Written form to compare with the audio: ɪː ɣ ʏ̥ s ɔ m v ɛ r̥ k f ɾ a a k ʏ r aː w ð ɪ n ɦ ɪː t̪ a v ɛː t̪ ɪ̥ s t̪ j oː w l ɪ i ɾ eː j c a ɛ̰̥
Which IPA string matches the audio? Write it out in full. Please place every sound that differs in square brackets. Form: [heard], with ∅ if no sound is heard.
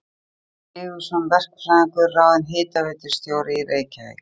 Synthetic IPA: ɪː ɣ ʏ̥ s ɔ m v ɛ r̥ k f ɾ a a k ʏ r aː w ð ɪ n ɦ ɪː t̪ a v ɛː t̪ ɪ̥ s t̪ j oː w [ɾ] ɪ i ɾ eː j c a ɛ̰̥